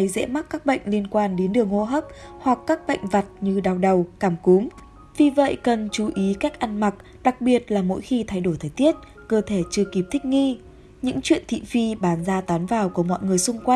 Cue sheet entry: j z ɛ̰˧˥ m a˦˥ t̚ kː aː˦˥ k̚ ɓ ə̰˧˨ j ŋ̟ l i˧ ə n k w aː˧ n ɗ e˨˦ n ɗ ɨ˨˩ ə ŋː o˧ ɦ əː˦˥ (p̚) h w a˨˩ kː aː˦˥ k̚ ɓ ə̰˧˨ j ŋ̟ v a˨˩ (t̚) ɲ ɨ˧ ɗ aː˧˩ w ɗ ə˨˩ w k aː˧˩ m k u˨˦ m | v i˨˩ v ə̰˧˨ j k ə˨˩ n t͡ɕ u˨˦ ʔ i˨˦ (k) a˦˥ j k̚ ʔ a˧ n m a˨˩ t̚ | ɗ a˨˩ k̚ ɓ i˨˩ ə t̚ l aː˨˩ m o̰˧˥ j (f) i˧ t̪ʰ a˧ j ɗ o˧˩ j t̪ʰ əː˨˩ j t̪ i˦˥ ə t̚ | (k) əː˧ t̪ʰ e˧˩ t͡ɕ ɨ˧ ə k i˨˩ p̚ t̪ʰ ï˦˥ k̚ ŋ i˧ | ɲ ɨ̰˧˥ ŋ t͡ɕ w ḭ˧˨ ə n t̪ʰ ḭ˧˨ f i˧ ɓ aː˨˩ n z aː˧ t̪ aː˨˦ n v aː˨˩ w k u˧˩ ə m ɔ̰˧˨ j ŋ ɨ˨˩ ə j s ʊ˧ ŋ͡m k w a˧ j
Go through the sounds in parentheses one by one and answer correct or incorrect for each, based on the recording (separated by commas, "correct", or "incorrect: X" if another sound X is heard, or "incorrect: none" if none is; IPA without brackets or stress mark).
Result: correct, correct, correct, incorrect: x, correct